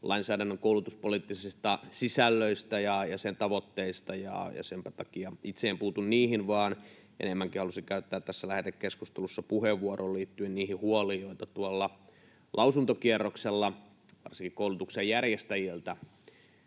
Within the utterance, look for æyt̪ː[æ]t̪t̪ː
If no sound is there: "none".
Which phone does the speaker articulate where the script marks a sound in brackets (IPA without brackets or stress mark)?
æː